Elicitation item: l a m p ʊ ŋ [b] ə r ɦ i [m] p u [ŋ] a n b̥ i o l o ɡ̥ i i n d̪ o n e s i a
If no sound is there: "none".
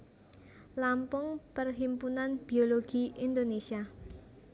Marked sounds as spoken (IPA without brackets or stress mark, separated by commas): p, m, n